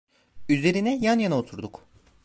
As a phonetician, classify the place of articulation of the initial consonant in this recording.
alveolar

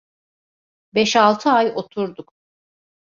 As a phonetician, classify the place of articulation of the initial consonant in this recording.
labial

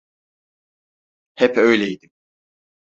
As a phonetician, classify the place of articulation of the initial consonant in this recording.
glottal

